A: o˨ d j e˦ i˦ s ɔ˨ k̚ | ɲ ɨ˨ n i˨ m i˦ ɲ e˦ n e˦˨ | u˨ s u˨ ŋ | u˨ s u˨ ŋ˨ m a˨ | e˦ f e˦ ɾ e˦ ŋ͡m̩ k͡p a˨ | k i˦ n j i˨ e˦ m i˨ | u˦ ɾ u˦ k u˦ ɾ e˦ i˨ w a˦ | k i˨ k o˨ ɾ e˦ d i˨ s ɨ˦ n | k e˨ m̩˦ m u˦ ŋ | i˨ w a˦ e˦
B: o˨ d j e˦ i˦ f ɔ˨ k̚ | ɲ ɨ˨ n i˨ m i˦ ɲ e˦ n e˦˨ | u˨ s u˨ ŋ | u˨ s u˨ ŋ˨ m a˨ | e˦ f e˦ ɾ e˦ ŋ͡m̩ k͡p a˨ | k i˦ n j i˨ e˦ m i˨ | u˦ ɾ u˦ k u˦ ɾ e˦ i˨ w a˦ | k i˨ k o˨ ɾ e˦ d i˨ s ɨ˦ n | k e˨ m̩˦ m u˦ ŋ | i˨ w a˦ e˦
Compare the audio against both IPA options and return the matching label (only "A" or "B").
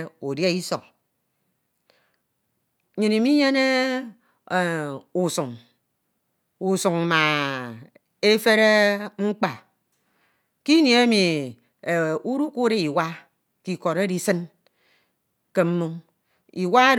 A